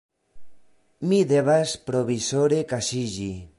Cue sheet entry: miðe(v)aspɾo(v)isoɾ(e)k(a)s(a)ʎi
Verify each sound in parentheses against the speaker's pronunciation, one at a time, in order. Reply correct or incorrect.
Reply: incorrect: β, incorrect: β, correct, correct, incorrect: i

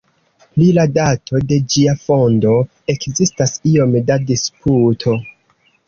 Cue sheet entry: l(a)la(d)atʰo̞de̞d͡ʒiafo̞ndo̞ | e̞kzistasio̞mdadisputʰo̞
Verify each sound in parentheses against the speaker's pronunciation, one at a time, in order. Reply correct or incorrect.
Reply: incorrect: i, correct

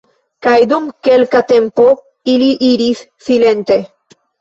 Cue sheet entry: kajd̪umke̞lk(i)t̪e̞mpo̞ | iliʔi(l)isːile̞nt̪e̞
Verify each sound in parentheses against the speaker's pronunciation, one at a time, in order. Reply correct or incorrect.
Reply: incorrect: a, incorrect: ɾ

